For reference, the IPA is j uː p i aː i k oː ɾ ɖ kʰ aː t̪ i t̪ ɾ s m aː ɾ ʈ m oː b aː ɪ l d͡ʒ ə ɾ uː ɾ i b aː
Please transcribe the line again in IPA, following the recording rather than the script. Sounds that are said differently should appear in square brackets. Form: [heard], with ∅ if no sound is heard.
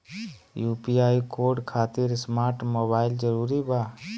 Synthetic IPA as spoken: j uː p i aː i k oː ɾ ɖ kʰ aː t̪ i [∅] ɾ s m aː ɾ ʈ m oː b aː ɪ l d͡ʒ ə ɾ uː ɾ i b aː